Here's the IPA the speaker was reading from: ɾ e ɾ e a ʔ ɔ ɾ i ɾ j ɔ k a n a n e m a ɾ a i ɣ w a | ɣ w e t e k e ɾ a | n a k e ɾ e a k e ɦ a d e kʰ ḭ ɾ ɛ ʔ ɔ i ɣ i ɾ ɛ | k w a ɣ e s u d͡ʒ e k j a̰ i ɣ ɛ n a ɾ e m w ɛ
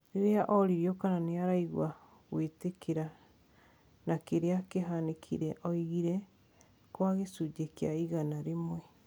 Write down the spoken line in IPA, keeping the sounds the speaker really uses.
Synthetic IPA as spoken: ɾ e ɾ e a ʔ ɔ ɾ i ɾ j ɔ k a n a n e a ɾ a i ɣ w a | ɣ w e t e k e ɾ a | n a k e ɾ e a k e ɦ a n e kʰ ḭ ɾ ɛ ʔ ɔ i ɣ i ɾ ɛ | k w a ɣ e s u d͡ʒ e k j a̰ i ɣ a n a ɾ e m w ɛ